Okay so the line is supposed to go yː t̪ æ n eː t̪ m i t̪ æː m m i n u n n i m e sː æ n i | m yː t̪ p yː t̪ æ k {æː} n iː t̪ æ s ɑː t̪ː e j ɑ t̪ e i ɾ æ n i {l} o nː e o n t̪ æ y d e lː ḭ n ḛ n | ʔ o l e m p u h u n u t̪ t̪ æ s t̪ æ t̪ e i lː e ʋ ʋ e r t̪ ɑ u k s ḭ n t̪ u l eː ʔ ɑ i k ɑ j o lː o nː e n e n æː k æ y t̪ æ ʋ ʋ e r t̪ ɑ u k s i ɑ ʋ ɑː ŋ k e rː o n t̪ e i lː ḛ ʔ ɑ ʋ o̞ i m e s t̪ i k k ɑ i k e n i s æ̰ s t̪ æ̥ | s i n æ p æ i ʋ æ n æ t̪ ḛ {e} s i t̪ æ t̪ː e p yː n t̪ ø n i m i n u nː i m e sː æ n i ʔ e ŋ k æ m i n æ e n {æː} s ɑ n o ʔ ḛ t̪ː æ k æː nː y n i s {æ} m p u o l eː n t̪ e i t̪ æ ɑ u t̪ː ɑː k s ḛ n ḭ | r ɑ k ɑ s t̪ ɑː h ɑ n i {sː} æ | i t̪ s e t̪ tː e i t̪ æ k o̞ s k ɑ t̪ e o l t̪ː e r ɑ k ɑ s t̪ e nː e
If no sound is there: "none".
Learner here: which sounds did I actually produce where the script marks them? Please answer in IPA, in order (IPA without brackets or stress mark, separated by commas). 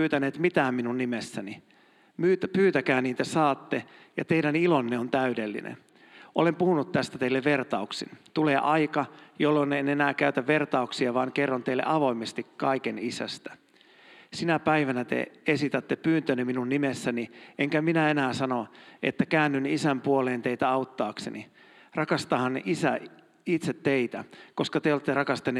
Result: æː, l, e, æː, æ, s